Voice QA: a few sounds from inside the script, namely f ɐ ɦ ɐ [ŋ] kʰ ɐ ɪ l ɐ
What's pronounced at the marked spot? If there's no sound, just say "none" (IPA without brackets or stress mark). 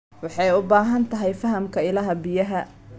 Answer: m